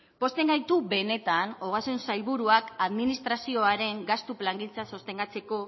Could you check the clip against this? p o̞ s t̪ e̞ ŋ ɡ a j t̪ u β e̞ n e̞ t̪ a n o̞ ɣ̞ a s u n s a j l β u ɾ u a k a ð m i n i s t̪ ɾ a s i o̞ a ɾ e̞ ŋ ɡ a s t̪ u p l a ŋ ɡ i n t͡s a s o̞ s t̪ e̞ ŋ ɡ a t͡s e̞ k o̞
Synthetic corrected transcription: p o̞ s t̪ e̞ ŋ ɡ a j t̪ u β e̞ n e̞ t̪ a n o̞ ɣ̞ a s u n s a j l β u ɾ u a k a ð m i n i s t̪ ɾ a s i o̞ a ɾ e̞ ŋ ɡ a s t̪ u p l a ŋ ɡ i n t͡s a s o̞ s t̪ e̞ ŋ ɡ a t͡s e̞ k o̞